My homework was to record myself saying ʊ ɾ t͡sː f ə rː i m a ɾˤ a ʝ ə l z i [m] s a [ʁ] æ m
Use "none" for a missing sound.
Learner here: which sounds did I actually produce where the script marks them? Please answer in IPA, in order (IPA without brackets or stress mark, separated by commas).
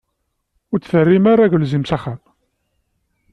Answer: m, χ